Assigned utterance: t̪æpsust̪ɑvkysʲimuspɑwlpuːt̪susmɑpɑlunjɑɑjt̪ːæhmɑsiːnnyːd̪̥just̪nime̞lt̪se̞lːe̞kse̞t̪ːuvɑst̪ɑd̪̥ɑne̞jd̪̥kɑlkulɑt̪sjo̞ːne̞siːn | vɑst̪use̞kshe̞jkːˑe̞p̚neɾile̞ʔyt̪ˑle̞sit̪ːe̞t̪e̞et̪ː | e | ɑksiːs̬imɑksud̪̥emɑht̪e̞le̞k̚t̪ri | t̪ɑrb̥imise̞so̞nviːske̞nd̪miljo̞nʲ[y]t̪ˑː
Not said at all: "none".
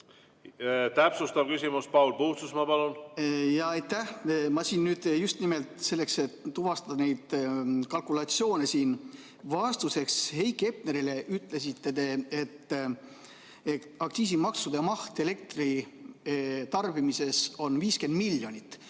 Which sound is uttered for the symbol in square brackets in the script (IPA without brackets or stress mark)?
i